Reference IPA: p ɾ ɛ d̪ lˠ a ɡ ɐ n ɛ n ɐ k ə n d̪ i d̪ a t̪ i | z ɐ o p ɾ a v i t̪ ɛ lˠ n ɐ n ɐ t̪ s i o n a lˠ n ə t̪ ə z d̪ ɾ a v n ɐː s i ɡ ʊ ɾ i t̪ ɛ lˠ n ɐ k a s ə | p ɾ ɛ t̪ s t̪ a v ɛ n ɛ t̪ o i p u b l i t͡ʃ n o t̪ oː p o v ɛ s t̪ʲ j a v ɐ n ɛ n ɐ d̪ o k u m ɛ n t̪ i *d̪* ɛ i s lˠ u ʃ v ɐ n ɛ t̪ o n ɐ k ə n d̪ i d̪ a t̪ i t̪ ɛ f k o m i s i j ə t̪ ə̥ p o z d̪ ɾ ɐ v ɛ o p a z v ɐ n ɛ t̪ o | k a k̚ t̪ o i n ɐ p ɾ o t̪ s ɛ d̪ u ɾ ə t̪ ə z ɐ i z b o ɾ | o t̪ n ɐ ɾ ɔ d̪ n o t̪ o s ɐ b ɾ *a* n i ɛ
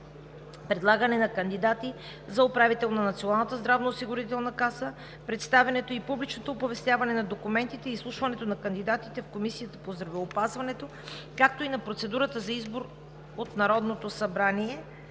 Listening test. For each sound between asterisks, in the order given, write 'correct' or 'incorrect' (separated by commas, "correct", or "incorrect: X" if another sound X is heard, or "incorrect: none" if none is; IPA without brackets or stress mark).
incorrect: t̪, correct